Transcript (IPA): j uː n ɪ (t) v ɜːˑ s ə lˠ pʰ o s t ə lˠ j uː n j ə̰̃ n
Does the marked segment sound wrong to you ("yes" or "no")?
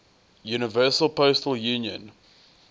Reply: yes